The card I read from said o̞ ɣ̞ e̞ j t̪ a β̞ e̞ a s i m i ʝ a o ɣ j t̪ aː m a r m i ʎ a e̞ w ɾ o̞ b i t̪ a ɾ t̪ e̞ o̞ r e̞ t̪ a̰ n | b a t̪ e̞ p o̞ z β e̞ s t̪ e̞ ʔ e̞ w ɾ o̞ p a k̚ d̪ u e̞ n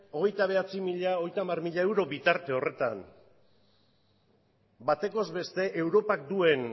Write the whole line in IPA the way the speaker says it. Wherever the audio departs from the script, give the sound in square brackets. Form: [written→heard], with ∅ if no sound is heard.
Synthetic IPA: o̞ ɣ̞ e̞ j t̪ a β̞ e̞ a [s→t͡s] i m i [ʝ→ʎ] a o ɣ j t̪ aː m a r m i ʎ a e̞ w ɾ o̞ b i t̪ a ɾ t̪ e̞ o̞ r e̞ t̪ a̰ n | b a t̪ e̞ [p→k] o̞ z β e̞ s t̪ e̞ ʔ e̞ w ɾ o̞ p a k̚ d̪ u e̞ n